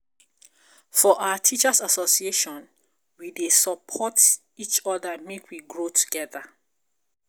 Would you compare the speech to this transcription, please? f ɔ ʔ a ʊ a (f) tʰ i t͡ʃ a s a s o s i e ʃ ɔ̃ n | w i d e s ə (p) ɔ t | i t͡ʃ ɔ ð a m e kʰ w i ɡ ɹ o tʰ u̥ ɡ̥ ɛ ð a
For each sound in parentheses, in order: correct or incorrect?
incorrect, incorrect

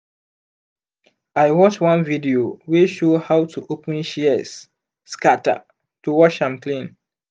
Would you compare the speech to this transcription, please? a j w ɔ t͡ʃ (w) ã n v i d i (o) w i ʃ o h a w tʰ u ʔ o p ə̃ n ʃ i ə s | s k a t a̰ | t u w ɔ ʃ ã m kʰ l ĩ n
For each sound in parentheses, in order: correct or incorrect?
correct, correct

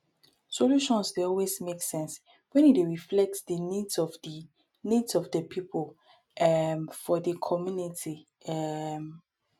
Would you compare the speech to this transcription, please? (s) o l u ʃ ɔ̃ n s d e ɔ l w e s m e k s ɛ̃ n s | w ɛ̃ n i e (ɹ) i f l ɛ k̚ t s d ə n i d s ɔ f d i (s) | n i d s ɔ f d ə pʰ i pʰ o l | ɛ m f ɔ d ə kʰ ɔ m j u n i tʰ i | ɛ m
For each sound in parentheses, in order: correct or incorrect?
correct, correct, incorrect

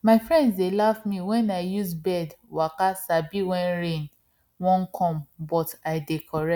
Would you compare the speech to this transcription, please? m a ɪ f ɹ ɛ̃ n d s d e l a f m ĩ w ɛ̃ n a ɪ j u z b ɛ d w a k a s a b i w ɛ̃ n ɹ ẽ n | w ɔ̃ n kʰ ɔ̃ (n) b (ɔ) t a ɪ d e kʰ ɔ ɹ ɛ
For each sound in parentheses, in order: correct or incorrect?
incorrect, correct

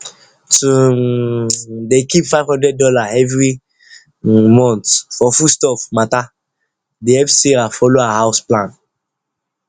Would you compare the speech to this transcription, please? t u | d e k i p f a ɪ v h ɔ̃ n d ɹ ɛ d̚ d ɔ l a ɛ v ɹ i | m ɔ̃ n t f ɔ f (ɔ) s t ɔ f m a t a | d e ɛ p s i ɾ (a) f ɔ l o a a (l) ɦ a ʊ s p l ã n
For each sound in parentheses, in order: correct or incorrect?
incorrect, correct, incorrect

